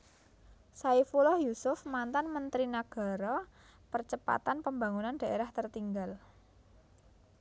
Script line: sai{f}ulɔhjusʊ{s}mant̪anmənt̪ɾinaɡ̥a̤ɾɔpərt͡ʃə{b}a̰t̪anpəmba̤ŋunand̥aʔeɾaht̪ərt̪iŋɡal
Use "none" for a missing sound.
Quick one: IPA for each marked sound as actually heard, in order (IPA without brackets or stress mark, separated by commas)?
f, f, p